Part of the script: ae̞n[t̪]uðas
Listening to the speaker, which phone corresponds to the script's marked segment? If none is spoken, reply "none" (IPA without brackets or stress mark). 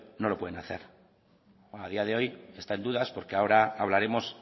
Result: d̪